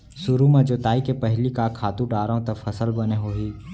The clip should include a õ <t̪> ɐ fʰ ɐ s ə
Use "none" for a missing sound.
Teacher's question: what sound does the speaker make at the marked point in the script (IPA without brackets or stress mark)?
t̪